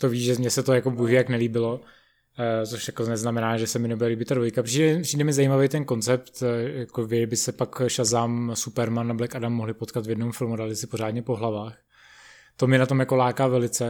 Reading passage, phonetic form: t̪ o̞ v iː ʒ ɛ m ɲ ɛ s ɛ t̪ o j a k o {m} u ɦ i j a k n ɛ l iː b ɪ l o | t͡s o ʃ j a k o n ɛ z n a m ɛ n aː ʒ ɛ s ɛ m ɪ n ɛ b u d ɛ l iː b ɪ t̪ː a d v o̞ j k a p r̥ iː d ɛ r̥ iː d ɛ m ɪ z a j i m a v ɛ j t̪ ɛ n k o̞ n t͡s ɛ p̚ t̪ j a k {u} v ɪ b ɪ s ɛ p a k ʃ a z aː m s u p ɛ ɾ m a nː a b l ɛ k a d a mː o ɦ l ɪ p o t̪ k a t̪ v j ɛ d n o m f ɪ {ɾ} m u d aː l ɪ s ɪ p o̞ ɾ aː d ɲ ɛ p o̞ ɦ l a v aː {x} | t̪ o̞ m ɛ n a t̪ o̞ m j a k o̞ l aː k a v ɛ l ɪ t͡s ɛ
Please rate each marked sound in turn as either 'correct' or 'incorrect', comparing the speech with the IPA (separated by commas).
incorrect, incorrect, incorrect, correct